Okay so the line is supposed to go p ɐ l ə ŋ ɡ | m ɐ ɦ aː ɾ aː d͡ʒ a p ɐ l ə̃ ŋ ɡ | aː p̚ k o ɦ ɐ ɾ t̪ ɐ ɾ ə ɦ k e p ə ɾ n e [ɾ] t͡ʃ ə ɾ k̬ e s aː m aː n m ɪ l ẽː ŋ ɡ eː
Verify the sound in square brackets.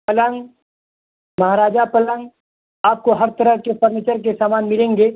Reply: incorrect: none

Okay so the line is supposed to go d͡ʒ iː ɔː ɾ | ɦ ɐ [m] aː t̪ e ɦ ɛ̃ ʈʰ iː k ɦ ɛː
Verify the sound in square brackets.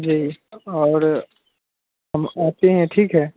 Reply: correct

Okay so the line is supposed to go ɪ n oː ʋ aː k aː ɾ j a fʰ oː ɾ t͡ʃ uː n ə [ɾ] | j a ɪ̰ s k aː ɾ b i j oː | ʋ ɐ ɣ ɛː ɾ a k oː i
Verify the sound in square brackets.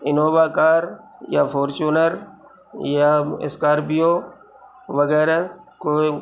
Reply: correct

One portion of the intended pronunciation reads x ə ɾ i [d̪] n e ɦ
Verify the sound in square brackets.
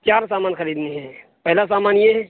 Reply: correct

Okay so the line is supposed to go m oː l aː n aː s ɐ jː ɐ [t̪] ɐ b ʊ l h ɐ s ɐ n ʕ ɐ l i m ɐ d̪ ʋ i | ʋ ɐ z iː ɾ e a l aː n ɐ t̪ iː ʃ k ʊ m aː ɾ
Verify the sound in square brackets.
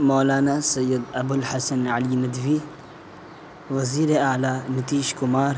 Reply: incorrect: d̪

